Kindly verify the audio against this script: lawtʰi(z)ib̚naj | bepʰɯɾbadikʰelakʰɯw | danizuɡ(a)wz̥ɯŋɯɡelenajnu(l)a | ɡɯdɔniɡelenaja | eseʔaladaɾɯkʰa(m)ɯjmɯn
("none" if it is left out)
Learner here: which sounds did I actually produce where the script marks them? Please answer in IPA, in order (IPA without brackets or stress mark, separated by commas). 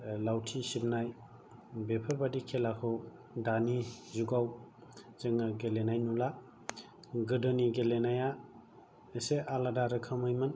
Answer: s, a, l, m